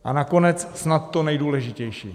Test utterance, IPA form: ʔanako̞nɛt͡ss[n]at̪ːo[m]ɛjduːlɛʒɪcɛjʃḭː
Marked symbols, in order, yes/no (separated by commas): yes, no